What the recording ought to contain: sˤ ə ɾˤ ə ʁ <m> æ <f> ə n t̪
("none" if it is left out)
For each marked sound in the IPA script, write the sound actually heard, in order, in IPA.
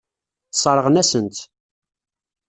n, s

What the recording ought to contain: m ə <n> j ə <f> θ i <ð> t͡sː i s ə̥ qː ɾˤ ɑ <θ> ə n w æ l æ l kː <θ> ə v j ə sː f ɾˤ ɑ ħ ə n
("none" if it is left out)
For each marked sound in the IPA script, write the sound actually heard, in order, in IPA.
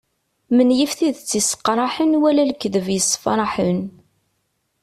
n, f, ð, ħ, ð

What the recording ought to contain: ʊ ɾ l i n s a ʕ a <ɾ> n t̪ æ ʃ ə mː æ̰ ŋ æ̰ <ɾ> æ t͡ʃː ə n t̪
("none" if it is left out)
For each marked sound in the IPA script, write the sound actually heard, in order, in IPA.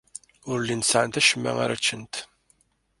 none, ɾ

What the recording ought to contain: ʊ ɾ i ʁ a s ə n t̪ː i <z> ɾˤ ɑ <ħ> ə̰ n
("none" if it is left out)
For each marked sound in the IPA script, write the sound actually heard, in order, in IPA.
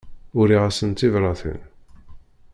v, θ

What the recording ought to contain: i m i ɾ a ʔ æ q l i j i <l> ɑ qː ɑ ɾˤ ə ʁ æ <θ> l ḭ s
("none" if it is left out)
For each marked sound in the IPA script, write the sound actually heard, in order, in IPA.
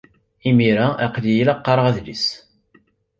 l, ð

